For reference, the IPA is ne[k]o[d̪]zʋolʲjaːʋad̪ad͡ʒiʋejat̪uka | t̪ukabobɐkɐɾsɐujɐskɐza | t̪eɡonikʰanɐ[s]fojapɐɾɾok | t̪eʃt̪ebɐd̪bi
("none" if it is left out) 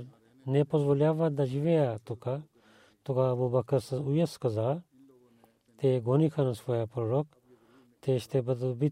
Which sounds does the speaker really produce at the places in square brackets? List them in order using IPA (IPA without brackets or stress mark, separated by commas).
p, none, s